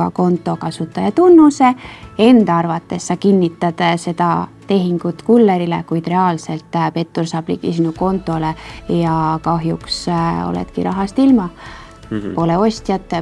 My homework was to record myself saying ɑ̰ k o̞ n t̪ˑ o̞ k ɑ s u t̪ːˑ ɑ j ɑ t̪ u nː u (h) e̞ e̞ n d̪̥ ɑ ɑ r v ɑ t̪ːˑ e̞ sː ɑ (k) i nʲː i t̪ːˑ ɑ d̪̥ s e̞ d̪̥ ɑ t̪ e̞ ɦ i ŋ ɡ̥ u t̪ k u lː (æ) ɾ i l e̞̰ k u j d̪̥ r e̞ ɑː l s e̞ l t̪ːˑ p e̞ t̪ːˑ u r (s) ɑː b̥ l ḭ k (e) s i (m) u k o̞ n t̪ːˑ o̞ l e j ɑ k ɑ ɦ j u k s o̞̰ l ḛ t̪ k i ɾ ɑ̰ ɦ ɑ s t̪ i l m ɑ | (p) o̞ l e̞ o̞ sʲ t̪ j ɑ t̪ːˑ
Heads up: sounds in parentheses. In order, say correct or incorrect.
incorrect, correct, incorrect, correct, incorrect, incorrect, correct

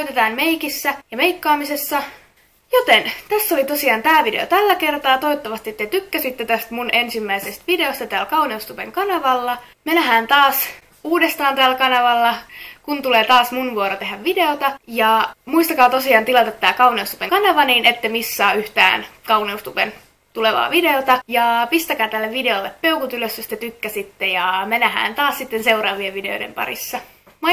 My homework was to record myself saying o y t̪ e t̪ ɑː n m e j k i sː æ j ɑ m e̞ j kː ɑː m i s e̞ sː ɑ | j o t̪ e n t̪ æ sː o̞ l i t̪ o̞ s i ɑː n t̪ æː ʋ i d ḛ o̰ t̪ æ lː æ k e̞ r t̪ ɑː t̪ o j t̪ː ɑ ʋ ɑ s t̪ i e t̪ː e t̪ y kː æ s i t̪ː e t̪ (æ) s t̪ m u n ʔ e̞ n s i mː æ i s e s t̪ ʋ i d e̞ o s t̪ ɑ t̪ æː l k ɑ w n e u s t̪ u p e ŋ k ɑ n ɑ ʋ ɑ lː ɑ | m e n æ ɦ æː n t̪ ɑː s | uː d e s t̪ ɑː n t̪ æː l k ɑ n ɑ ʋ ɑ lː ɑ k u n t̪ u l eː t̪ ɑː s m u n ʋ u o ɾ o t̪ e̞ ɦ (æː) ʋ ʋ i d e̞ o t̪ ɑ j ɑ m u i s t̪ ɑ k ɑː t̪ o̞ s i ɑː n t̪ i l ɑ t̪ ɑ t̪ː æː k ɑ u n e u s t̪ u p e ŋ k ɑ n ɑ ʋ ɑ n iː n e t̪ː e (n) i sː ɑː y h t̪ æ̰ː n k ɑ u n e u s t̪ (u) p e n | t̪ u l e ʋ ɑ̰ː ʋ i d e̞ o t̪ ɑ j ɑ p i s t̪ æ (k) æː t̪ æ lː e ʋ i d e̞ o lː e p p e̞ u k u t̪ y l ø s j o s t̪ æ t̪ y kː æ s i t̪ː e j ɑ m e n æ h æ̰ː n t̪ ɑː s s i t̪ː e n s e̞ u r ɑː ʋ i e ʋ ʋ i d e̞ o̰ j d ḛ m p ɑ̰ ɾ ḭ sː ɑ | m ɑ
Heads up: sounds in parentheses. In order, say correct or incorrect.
correct, incorrect, incorrect, correct, correct

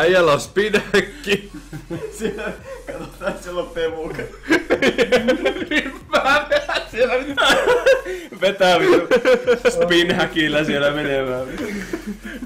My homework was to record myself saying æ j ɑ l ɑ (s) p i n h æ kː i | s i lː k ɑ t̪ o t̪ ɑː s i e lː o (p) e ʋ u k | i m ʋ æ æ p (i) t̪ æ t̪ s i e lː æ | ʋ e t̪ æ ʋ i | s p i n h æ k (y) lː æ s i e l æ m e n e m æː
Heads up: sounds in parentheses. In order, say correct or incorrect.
correct, correct, incorrect, incorrect

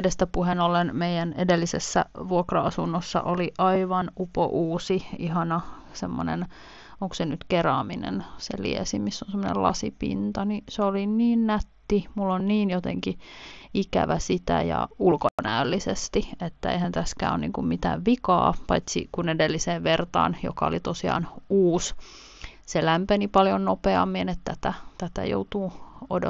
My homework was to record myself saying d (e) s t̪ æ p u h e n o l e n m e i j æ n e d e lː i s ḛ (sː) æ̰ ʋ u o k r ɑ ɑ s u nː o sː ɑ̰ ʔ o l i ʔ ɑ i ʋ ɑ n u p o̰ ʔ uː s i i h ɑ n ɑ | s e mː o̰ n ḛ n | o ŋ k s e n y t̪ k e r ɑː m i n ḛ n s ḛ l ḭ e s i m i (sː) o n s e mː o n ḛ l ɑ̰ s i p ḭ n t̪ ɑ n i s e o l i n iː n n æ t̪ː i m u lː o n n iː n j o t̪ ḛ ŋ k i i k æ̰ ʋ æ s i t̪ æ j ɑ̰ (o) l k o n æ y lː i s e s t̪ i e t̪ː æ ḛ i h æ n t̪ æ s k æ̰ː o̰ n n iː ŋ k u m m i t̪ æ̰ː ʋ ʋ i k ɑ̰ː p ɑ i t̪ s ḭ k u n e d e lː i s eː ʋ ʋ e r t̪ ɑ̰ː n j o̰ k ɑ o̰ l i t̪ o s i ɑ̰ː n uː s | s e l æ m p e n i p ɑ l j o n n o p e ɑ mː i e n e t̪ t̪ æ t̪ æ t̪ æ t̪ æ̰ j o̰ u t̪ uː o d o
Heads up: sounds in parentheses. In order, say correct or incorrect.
correct, correct, correct, incorrect

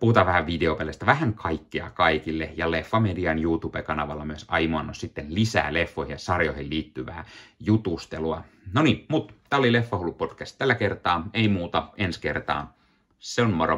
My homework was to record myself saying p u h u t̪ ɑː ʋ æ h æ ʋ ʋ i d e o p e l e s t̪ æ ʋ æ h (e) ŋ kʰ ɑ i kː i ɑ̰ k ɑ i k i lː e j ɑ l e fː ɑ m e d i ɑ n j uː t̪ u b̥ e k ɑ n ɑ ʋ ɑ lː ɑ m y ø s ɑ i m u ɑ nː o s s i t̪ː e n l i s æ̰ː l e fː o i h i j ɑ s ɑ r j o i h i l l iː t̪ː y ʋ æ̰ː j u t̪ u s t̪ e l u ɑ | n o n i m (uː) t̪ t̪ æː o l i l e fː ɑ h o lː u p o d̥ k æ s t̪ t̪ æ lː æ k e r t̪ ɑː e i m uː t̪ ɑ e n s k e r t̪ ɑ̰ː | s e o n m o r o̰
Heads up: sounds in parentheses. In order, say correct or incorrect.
incorrect, incorrect

